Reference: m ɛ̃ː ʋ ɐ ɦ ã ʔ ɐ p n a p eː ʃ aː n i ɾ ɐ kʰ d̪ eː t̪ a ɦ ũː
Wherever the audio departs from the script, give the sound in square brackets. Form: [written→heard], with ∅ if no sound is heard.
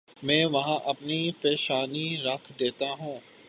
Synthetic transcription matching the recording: m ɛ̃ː ʋ ɐ ɦ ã ʔ ɐ p n [a→i] p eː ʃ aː n i ɾ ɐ kʰ d̪ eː t̪ a ɦ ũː